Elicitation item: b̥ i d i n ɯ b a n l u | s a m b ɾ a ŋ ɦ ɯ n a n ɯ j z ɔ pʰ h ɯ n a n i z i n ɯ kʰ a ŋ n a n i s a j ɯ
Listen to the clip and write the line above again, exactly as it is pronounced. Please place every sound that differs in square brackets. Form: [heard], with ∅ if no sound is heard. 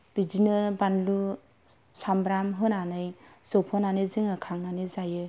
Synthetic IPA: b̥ i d i n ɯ b a n l u | s a m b ɾ a [m] ɦ ɯ n a n ɯ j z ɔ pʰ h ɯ n a n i z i [ŋ] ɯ kʰ a ŋ n a n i [z] a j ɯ